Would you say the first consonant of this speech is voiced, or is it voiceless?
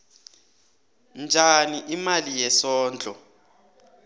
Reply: voiced